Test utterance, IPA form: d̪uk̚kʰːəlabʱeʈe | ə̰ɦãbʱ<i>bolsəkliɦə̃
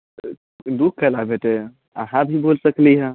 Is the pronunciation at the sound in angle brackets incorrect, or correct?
correct